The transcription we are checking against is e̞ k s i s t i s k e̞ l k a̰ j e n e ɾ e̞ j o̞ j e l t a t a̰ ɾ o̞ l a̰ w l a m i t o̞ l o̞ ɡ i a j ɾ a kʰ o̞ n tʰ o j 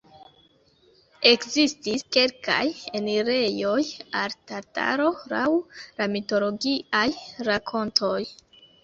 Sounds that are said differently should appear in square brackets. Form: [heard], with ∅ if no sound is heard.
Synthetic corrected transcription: e̞ k [z] i s t i s k e̞ l k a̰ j e n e ɾ e̞ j o̞ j [a] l t a t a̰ ɾ o̞ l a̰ w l a m i t o̞ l o̞ ɡ i a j ɾ a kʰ o̞ n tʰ o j